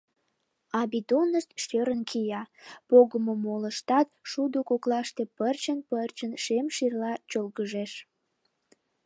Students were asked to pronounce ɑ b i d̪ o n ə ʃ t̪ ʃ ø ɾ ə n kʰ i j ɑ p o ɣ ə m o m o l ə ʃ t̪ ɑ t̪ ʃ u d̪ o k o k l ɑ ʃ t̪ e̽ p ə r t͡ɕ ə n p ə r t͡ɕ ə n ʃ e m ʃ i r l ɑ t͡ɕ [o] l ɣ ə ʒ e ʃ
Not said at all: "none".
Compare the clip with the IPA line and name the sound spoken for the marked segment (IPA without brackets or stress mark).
o